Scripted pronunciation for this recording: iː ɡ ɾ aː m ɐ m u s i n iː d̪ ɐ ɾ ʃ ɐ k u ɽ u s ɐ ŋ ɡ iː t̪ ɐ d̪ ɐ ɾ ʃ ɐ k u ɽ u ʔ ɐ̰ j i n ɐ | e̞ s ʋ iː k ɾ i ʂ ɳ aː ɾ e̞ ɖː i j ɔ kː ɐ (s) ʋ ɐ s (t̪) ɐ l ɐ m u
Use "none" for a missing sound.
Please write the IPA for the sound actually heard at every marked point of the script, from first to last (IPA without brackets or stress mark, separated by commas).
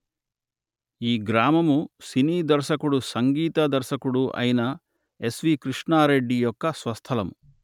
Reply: s, t̪ʰ